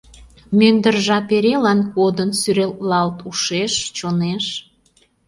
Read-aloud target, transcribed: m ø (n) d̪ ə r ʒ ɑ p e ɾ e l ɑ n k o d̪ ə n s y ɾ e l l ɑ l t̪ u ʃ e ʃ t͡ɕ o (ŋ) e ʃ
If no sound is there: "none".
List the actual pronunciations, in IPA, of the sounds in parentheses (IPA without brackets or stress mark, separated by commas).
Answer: n, n